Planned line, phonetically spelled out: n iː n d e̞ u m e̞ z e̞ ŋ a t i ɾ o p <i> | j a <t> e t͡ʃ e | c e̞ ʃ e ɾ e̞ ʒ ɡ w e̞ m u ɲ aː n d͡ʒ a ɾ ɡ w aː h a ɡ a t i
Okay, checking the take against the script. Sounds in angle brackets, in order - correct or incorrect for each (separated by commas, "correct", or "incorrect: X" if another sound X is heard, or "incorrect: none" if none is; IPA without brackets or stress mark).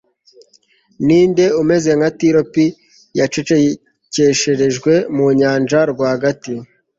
correct, incorrect: t͡ʃ